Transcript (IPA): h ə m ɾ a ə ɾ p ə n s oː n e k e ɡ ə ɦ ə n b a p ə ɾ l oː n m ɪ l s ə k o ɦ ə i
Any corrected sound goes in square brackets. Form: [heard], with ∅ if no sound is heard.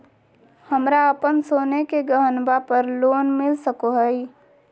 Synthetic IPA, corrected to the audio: h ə m ɾ a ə [∅] p ə n s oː n e k e ɡ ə ɦ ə n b a p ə ɾ l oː n m ɪ l s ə k o ɦ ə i